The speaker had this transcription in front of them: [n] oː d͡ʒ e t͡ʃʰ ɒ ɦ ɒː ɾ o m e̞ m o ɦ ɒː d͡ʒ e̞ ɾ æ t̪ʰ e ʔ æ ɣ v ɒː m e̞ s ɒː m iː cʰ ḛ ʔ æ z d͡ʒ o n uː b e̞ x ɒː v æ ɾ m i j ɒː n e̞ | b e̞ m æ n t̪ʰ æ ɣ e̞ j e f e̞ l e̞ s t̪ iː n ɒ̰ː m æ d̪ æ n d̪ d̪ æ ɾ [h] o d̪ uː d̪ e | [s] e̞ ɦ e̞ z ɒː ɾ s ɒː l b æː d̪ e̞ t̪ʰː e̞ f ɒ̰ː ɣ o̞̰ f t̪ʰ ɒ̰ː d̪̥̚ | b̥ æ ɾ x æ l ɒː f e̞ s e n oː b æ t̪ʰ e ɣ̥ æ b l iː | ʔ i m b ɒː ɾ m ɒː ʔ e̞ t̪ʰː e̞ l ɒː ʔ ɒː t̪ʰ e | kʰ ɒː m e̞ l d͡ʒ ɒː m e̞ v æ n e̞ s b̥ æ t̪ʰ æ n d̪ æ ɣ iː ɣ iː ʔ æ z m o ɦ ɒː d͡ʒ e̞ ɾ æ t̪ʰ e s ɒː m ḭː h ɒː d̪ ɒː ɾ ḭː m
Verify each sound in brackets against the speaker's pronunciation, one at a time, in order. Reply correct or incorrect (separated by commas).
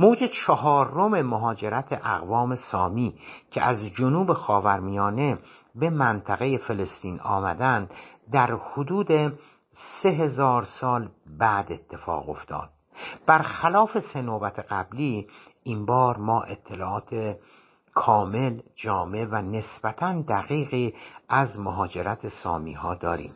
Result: incorrect, correct, correct